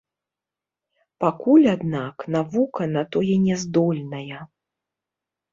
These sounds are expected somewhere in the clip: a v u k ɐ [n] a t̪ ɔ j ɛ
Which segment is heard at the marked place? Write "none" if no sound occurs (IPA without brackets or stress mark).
n